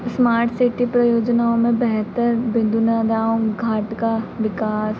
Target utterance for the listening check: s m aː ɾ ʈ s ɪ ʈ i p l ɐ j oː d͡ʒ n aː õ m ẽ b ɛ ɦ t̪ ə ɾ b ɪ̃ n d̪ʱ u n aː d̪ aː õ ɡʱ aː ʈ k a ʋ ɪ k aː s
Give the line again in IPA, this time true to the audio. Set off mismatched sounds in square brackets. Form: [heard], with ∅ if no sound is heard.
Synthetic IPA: s m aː ɾ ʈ s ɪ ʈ i p [ɾ] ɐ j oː d͡ʒ n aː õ m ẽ b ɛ ɦ t̪ ə ɾ b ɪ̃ n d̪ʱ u n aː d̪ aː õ ɡʱ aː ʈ k a ʋ ɪ k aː s